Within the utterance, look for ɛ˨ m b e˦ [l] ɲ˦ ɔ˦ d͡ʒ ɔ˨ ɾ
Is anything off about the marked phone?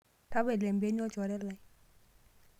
yes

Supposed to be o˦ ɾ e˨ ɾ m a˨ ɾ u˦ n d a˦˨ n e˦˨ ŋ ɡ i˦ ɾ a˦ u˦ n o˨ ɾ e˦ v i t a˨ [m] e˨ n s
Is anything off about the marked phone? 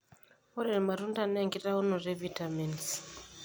no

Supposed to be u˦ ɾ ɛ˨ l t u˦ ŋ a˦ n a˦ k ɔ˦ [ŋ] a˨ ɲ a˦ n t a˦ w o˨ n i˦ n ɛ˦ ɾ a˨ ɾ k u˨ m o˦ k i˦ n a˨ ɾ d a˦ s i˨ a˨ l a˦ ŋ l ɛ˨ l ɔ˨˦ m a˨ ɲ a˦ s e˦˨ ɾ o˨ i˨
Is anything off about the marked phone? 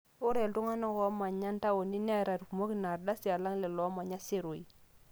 yes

